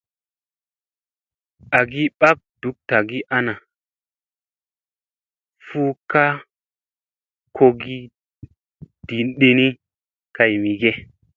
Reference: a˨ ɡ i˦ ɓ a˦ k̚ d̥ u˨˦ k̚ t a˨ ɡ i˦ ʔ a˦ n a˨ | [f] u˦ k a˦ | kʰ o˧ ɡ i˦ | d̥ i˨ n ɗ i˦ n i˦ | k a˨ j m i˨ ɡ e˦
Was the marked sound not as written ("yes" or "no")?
no